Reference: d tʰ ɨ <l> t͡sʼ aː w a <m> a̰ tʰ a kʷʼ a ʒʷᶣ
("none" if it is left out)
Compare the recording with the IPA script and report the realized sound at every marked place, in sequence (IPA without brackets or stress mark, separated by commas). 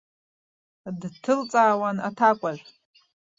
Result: l, n